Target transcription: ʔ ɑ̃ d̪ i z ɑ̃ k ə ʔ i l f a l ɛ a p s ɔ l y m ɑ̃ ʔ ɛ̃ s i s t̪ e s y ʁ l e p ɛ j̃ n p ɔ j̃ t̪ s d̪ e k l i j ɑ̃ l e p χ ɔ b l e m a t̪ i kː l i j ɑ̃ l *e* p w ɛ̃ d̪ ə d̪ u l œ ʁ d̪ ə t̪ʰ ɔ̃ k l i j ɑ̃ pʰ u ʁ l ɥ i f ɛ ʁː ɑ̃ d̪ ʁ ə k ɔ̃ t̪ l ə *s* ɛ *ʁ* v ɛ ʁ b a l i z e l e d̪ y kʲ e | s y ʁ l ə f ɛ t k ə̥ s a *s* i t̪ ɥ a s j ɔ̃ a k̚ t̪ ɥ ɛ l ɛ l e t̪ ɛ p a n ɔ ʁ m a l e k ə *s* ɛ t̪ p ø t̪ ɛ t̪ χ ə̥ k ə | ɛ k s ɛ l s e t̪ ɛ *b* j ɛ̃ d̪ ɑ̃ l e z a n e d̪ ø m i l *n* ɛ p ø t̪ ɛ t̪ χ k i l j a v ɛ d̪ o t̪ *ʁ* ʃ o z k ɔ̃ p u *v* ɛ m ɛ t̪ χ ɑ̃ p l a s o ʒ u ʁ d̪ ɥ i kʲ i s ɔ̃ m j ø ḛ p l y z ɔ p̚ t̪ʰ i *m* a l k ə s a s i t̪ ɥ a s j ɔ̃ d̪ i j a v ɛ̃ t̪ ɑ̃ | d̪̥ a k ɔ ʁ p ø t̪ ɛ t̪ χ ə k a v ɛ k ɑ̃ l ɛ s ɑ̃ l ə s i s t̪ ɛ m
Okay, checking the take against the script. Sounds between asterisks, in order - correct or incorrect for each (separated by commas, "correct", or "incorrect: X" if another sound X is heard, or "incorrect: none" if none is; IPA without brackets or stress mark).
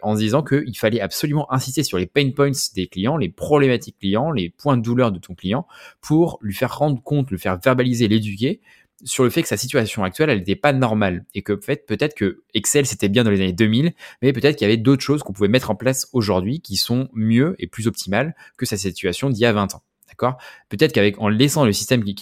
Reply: correct, incorrect: f, correct, correct, incorrect: f, correct, incorrect: m, incorrect: χ, correct, correct